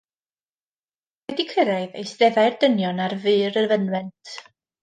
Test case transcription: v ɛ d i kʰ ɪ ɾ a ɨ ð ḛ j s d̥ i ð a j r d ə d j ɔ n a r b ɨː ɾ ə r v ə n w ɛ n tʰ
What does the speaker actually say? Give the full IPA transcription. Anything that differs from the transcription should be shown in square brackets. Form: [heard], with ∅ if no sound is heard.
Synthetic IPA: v ɛ d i kʰ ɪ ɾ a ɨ ð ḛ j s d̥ [ɛ] ð a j r d ə [n] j ɔ n a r [v] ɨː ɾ ə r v ə n w ɛ n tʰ